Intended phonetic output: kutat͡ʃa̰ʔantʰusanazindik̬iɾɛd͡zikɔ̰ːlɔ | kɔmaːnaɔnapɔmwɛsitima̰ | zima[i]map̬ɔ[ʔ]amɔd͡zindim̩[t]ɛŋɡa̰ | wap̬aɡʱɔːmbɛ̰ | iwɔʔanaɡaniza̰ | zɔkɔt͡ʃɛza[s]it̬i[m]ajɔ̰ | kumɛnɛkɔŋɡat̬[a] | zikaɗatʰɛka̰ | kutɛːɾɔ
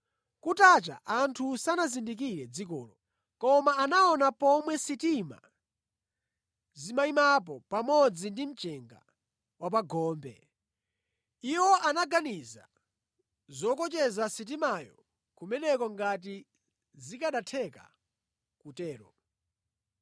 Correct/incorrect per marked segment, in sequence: correct, incorrect, incorrect, correct, correct, incorrect

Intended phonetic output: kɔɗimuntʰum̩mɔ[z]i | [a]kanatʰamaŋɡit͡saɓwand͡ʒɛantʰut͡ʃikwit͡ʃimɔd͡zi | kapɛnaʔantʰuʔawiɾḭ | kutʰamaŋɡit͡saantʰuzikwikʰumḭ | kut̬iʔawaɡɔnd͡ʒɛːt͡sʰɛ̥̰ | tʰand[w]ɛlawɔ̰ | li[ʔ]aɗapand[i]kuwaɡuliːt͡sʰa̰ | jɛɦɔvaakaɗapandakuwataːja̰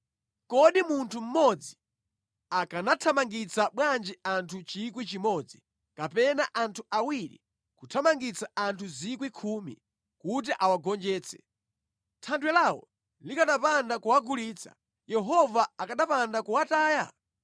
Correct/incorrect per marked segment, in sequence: incorrect, correct, correct, incorrect, incorrect

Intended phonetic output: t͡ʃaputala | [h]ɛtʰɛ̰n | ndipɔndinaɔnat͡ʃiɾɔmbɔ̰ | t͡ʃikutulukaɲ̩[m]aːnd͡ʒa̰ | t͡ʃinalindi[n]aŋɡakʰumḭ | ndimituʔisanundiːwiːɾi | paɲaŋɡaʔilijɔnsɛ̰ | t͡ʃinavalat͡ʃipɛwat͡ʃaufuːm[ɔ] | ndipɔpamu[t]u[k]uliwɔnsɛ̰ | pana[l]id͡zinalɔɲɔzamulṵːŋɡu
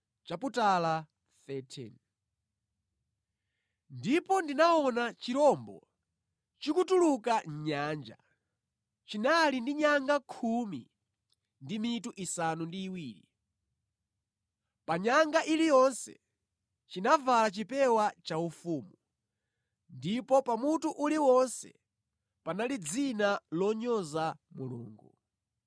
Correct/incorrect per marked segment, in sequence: incorrect, incorrect, incorrect, incorrect, correct, incorrect, correct

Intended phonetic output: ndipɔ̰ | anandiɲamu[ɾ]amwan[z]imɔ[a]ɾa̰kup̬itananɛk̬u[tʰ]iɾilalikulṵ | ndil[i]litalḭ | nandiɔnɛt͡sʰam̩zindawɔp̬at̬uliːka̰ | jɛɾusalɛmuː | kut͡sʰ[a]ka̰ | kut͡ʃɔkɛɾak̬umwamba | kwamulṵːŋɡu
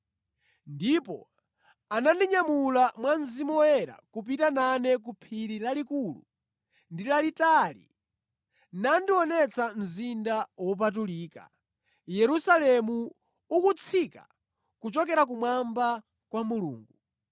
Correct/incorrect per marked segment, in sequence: incorrect, correct, incorrect, incorrect, incorrect, incorrect

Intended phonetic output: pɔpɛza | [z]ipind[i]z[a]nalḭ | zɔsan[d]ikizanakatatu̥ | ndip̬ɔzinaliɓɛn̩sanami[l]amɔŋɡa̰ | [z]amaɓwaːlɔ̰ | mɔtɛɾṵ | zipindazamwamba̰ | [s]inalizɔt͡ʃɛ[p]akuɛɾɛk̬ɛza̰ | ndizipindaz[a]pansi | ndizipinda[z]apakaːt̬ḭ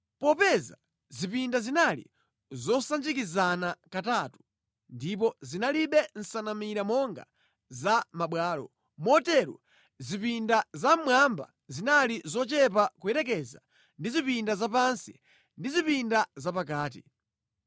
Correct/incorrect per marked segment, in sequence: correct, incorrect, incorrect, incorrect, incorrect, correct, incorrect, correct, correct, correct

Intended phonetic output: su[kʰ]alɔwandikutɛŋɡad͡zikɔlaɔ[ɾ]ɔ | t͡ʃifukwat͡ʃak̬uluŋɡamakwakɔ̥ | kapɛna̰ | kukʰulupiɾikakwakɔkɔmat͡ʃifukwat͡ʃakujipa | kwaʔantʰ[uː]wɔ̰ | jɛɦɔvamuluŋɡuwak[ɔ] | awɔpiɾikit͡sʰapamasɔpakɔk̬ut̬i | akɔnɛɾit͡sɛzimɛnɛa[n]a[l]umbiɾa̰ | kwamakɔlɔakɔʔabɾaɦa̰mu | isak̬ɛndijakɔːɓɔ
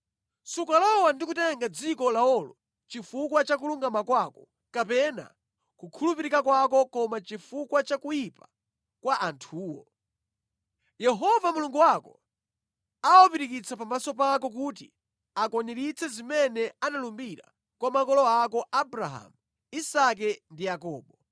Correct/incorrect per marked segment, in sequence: incorrect, incorrect, correct, correct, correct, correct

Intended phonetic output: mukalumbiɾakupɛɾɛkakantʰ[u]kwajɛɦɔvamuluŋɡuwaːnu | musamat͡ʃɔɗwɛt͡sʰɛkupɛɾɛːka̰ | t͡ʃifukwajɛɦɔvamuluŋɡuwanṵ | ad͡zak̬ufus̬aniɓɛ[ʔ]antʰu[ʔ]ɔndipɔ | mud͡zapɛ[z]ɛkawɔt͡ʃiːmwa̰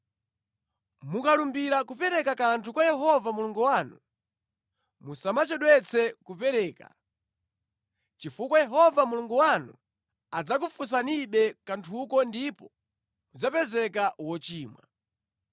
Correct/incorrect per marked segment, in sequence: correct, incorrect, incorrect, correct

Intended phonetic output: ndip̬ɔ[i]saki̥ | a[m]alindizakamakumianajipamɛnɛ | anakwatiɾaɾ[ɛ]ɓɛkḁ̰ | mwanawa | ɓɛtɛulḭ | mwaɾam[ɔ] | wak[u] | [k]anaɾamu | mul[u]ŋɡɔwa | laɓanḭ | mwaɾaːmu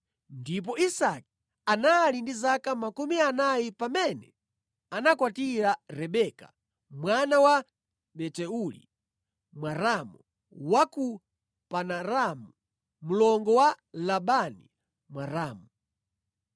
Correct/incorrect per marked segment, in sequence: correct, incorrect, correct, incorrect, correct, incorrect, incorrect

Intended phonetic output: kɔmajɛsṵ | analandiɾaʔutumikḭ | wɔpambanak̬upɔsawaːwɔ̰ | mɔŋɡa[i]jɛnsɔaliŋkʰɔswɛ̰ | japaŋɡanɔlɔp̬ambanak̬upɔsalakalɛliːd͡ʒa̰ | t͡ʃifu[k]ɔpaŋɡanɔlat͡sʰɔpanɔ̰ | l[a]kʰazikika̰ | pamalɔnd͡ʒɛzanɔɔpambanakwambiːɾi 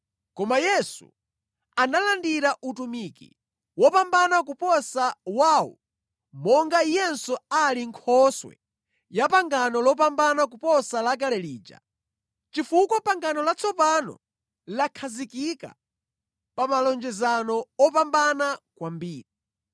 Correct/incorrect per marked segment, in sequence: correct, correct, correct

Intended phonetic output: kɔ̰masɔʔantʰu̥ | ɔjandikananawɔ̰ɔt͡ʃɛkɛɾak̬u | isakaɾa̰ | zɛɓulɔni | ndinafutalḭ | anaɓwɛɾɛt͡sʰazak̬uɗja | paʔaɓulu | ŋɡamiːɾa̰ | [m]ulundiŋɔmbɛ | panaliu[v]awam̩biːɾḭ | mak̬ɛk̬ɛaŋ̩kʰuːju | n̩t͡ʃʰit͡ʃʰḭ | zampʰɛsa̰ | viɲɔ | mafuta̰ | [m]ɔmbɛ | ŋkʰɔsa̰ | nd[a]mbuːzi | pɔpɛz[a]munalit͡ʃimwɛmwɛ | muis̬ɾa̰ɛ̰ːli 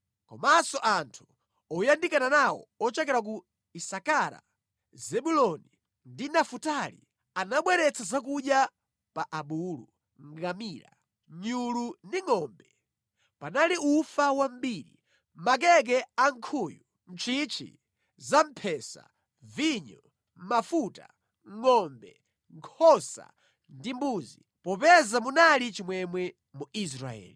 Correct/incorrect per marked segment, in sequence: incorrect, incorrect, incorrect, incorrect, correct

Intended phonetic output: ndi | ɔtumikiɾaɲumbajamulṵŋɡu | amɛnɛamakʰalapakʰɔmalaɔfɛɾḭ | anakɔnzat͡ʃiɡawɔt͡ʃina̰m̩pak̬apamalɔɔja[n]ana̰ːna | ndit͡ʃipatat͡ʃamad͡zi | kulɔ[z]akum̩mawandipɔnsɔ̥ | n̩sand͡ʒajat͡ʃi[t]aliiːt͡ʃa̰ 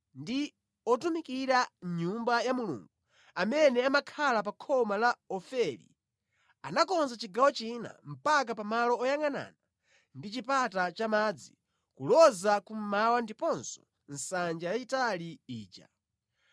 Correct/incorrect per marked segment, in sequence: incorrect, correct, correct

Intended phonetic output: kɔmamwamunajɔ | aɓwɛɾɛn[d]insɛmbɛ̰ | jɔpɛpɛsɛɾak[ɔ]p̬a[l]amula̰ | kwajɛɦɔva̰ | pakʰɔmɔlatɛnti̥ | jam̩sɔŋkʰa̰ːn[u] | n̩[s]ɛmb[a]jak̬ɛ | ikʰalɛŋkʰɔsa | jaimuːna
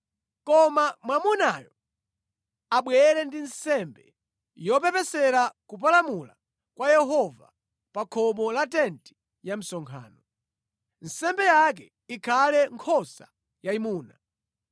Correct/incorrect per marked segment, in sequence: correct, incorrect, correct, incorrect, correct, incorrect

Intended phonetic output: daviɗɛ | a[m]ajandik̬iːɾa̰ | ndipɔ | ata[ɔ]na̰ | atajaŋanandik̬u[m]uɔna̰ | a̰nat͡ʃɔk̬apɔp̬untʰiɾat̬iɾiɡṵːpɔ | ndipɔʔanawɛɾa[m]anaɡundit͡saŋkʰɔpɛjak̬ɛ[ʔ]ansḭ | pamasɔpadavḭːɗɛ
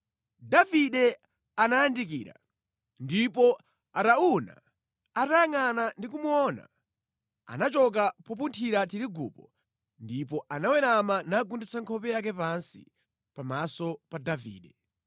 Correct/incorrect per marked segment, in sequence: incorrect, incorrect, correct, correct, incorrect

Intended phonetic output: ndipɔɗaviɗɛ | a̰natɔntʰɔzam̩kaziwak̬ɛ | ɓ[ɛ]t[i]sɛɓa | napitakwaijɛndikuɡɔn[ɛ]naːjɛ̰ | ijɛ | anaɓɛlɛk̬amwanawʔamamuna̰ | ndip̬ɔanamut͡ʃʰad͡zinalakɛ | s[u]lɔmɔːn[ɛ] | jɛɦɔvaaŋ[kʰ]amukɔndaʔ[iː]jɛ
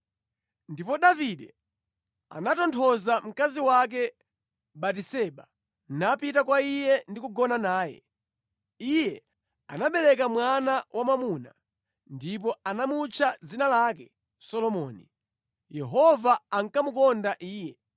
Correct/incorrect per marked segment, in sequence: incorrect, correct, incorrect, incorrect, incorrect, incorrect, correct

